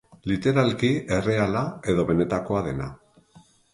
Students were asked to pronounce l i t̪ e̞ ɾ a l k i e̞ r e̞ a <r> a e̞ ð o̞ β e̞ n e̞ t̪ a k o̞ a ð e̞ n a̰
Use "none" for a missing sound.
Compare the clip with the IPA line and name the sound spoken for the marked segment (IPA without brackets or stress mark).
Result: l